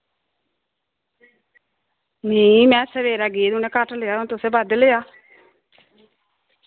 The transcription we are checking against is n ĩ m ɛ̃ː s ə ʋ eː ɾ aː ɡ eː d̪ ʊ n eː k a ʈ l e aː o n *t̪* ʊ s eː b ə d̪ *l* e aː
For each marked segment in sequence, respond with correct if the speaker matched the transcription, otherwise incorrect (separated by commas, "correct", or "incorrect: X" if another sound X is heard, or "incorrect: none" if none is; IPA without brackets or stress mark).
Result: correct, correct